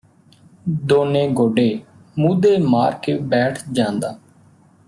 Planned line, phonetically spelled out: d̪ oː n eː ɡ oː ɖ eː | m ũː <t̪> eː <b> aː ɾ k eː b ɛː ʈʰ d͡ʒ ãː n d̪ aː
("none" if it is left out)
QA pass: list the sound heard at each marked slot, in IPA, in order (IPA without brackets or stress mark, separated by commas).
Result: d̪, m